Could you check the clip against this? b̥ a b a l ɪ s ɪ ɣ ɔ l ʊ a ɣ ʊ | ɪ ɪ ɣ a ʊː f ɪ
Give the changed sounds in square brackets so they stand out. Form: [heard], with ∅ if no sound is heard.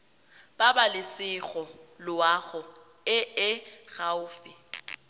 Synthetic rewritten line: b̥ a b a l ɪ s ɪ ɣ ɔ l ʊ a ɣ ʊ | ɪ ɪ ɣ a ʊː f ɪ